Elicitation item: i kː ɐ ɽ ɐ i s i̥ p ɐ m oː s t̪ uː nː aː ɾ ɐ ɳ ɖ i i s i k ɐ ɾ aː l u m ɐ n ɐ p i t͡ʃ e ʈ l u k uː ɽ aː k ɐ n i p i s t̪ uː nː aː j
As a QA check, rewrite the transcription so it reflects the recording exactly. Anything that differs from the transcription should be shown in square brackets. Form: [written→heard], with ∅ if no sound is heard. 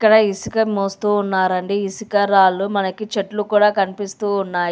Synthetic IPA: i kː ɐ ɽ ɐ i s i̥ [p→k] ɐ m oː s t̪ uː nː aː ɾ ɐ ɳ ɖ i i s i k ɐ ɾ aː l u m ɐ n ɐ [p→k] i t͡ʃ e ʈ l u k uː ɽ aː k ɐ n i p i s t̪ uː nː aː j